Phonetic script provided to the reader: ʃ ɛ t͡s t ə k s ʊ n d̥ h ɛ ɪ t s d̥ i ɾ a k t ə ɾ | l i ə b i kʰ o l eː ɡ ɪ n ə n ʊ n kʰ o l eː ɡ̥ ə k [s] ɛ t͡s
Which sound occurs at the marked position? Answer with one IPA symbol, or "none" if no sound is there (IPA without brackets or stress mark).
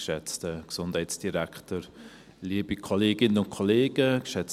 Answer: ʃ